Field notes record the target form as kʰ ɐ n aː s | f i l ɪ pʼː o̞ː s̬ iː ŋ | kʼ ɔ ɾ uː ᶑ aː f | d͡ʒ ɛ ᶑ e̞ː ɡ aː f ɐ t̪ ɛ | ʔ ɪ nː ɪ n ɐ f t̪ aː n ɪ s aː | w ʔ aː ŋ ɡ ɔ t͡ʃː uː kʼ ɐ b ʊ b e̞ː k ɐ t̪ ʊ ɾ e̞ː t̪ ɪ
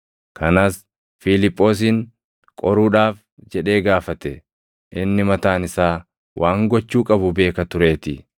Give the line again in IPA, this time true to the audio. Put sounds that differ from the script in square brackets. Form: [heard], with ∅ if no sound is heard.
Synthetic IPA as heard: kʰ ɐ n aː s | f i l ɪ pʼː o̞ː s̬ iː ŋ | kʼ ɔ ɾ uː ᶑ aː f | d͡ʒ ɛ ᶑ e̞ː ɡ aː f ɐ t̪ ɛ | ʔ ɪ nː ɪ [m] ɐ [∅] t̪ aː n ɪ s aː | w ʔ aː ŋ ɡ ɔ t͡ʃː uː kʼ ɐ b ʊ b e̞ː k ɐ t̪ ʊ ɾ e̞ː t̪ ɪ